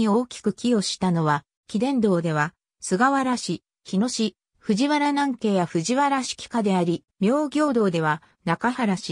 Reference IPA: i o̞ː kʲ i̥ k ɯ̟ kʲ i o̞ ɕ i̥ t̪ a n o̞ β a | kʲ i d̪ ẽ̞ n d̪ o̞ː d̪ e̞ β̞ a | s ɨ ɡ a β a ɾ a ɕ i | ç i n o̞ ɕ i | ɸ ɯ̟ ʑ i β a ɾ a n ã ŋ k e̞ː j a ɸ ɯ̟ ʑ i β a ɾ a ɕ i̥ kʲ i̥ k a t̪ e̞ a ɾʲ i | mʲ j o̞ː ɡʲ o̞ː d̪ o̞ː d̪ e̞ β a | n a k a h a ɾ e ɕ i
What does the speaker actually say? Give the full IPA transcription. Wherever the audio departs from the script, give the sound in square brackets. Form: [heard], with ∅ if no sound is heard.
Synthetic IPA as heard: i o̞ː kʲ i̥ k ɯ̟ kʲ i o̞ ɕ i̥ t̪ a n o̞ β a | kʲ i d̪ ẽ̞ n d̪ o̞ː d̪ e̞ β̞ a | s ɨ ɡ a β a ɾ a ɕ i | ç i n o̞ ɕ i | ɸ ɯ̟ ʑ i β a ɾ a n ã ŋ k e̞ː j a ɸ ɯ̟ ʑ i β a ɾ a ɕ i̥ kʲ i̥ k a [d̪] e̞ a ɾʲ i | mʲ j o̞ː ɡʲ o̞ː d̪ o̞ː d̪ e̞ β a | n a k a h a ɾ [a] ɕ i